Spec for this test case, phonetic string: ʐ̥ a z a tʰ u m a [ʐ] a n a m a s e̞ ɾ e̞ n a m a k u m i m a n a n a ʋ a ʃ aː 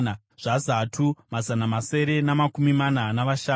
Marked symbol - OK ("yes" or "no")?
no